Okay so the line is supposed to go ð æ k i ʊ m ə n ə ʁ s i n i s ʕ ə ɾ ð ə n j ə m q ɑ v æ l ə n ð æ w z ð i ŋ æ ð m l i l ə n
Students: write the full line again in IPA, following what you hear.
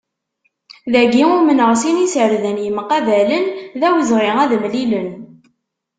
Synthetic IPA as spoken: ð æ ɡ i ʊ m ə n ə ʁ s i n i s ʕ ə ɾ ð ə n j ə m q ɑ v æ l ə n ð æ w z ʁ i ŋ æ ð m l i l ə n